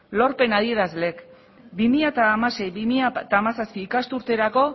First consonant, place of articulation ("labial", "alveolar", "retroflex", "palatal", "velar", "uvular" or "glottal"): alveolar